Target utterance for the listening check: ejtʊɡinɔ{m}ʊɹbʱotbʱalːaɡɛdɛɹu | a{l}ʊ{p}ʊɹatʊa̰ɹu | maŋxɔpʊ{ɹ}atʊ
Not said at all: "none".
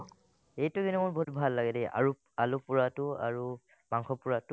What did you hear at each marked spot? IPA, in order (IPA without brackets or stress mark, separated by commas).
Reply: m, l, p, ɹ